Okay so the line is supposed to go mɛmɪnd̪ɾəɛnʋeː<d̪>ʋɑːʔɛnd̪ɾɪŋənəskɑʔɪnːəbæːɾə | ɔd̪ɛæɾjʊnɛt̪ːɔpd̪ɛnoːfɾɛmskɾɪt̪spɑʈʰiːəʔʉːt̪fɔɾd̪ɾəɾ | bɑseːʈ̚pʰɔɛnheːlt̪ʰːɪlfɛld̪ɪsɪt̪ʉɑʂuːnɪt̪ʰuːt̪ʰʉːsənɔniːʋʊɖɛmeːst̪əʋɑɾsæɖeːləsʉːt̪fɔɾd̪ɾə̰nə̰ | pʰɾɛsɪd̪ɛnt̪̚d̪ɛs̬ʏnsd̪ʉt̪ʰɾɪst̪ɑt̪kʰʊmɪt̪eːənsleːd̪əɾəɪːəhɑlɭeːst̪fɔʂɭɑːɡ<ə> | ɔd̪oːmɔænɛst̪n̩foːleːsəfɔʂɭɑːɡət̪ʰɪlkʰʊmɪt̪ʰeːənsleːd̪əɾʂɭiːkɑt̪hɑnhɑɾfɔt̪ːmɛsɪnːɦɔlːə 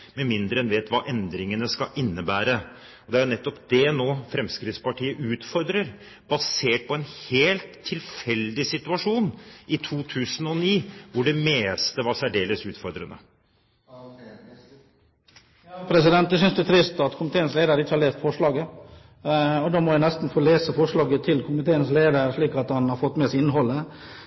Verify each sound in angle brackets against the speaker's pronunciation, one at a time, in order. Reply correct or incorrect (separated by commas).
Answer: incorrect, correct